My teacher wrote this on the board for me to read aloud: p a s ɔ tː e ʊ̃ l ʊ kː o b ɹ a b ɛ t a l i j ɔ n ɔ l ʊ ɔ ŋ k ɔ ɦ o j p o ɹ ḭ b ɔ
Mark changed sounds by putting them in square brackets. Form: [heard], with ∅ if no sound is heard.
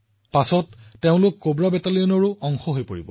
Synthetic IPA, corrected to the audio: p a s ɔ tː e ʊ̃ l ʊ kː o b ɹ a b ɛ t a l i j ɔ n ɔ [ɹ] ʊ ɔ ŋ [x] ɔ ɦ o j p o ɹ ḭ b ɔ